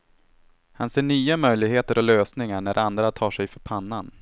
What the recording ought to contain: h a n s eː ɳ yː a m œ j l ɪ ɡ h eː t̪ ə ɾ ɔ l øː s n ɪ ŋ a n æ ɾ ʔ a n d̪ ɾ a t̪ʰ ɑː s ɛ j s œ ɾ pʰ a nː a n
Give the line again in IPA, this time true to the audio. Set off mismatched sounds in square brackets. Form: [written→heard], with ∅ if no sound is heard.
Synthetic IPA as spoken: h a n s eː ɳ yː a m œ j l ɪ ɡ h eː t̪ ə ɾ ɔ l øː s n ɪ ŋ a [n→ɳ] æ ɾ ʔ a n d̪ ɾ a t̪ʰ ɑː [s→ʂ] ɛ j [s→f] œ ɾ pʰ a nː a n